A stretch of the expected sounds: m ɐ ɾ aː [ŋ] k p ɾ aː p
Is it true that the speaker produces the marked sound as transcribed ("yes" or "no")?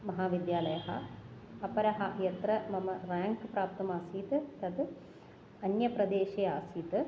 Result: yes